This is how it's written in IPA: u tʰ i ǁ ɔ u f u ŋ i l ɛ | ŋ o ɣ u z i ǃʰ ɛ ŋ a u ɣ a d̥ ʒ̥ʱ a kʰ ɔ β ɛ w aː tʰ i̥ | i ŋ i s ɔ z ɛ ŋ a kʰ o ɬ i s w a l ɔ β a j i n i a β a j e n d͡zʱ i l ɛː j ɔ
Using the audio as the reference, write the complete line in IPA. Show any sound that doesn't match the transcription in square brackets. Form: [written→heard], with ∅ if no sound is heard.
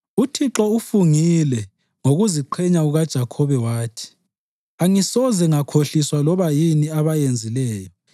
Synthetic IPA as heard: u tʰ i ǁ ɔ u f u ŋ i l ɛ | ŋ o ɣ u z i ǃʰ ɛ [ŋ→ɲ] a u ɣ a d̥ ʒ̥ʱ a kʰ ɔ β ɛ w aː tʰ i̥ | [i→a] ŋ i s ɔ z ɛ ŋ a kʰ o ɬ i s w a l ɔ β a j i n i a β a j e n d͡zʱ i l ɛː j ɔ